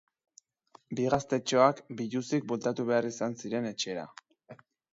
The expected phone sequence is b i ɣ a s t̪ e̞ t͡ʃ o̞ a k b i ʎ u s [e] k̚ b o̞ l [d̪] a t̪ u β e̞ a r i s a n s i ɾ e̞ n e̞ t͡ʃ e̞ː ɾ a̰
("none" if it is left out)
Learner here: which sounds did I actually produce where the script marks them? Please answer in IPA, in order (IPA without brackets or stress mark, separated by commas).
i, t̪